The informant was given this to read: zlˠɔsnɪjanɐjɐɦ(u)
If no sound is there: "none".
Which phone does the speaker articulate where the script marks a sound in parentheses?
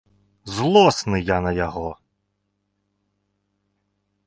ɔ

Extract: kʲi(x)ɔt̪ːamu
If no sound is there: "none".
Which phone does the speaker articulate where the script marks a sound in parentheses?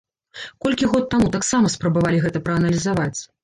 ɣ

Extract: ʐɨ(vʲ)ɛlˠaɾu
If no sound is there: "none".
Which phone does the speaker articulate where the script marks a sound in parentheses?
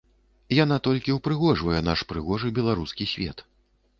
bʲ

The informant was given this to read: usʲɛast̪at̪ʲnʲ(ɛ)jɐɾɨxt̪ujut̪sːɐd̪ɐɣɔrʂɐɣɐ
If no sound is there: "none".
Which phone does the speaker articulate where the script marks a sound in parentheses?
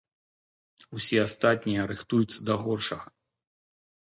i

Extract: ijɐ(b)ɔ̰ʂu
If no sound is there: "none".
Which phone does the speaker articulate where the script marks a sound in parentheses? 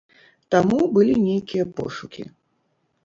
p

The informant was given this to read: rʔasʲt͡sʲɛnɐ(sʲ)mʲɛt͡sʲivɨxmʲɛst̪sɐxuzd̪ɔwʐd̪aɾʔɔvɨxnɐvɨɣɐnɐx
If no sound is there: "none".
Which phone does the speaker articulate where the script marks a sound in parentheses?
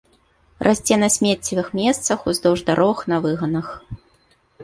sʲ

